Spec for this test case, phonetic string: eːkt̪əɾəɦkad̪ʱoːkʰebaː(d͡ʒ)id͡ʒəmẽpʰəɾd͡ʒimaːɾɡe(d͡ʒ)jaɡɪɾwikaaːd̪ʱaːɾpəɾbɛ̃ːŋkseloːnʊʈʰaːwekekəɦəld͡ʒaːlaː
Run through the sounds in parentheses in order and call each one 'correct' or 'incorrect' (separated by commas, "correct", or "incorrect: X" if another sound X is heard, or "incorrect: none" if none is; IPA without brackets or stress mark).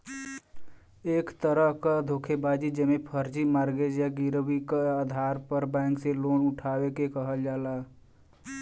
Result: correct, correct